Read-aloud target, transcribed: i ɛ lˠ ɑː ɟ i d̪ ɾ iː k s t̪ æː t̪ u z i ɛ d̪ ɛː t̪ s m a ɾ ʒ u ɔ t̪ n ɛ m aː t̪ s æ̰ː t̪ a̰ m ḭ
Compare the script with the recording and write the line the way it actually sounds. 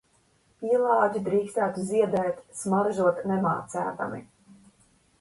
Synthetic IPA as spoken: i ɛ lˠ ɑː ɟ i d̪ ɾ iː k s t̪ æː t̪ u z i ɛ d̪ ɛː t̪ s m a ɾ ʒ u ɔ t̪ n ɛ m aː t̪ s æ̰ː t̪ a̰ m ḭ